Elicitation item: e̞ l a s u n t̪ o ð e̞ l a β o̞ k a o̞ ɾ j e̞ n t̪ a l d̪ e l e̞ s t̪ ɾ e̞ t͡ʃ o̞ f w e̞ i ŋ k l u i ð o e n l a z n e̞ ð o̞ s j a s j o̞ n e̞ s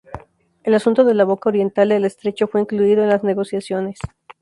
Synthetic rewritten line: e̞ l a s u n t̪ o ð e̞ l a β o̞ k a o̞ ɾ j e̞ n t̪ a l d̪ e l e̞ s t̪ ɾ e̞ t͡ʃ o̞ f w e̞ i ŋ k l u i ð o e n l a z n e̞ ɣ o̞ s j a s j o̞ n e̞ s